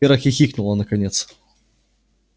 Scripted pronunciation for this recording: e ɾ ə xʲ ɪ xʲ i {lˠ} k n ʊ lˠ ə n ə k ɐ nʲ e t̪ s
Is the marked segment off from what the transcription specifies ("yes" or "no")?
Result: yes